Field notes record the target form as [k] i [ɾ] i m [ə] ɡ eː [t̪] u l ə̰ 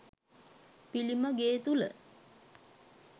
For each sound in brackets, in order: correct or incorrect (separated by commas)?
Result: incorrect, incorrect, correct, correct